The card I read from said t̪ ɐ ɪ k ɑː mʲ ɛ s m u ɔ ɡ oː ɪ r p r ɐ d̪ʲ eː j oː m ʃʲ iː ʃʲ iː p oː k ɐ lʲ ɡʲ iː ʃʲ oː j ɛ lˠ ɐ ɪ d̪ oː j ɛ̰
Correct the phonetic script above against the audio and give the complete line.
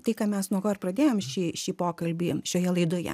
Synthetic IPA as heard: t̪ ɐ ɪ k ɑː mʲ ɛ s n u ɔ k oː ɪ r p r ɐ d̪ʲ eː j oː m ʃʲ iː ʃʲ iː p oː k ɐ lʲ bʲ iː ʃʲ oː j ɛ lˠ ɐ ɪ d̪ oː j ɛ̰

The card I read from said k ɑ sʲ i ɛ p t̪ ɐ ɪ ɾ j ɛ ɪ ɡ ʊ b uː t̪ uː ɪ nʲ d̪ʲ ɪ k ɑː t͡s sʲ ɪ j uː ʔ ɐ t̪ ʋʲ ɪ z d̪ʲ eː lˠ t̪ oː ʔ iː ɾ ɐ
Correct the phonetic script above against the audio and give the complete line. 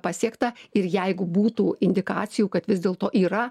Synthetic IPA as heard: p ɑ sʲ i ɛ k t̪ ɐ ɪ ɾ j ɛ ɪ ɡ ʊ b uː t̪ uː ɪ nʲ d̪ʲ ɪ k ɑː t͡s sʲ ɪ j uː k ɐ t̪ ʋʲ ɪ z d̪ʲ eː lˠ t̪ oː ʔ iː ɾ ɐ

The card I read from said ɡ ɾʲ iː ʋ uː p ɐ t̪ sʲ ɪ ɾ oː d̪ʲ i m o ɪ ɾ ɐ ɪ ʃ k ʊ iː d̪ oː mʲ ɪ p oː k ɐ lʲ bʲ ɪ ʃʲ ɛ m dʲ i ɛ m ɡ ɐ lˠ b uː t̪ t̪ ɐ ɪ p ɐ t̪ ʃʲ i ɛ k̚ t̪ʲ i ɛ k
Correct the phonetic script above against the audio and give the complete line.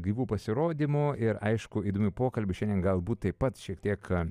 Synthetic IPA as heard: ɡ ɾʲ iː ʋ uː p ɐ sʲ ɪ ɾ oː d̪ʲ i m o ɪ ɾ ɐ ɪ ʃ k ʊ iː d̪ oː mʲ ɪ p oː k ɐ lʲ bʲ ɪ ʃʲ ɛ n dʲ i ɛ n ɡ ɐ lˠ b uː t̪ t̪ ɐ ɪ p ɐ t̪ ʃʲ i ɛ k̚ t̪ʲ i ɛ k

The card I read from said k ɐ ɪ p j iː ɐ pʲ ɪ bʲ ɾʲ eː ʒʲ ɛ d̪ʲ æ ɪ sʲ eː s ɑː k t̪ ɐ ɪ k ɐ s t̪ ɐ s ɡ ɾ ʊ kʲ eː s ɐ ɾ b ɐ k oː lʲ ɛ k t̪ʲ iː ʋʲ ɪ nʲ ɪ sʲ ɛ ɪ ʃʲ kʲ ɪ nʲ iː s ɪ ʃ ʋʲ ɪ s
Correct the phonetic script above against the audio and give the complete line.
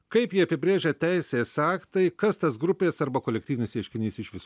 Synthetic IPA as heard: k ɐ ɪ p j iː ɐ pʲ ɪ bʲ ɾʲ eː ʒʲ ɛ t̪ʲ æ ɪ sʲ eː s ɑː k t̪ ɐ ɪ k ɐ s t̪ ɐ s ɡ ɾ ʊ pʲ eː s ɐ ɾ b ɐ k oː lʲ ɛ k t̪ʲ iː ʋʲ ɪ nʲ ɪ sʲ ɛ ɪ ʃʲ kʲ ɪ nʲ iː s ɪ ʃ ʋʲ ɪ s

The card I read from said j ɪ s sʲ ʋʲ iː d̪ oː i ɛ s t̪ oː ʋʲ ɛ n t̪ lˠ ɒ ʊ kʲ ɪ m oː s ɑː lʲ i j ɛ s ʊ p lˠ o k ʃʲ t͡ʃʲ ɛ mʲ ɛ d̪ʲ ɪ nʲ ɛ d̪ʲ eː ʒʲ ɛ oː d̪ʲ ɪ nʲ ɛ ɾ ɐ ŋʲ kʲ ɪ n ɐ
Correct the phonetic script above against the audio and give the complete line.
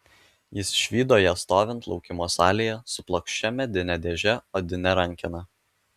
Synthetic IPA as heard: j ɪ s ʃʲ ʋʲ iː d̪ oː j ɛ s t̪ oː ʋʲ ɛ n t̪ lˠ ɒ ʊ kʲ ɪ m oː s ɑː lʲ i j ɛ s ʊ p lˠ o k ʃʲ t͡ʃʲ ɛ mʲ ɛ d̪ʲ ɪ nʲ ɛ d̪ʲ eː ʒʲ ɛ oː d̪ʲ ɪ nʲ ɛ ɾ ɐ ŋʲ kʲ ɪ n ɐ

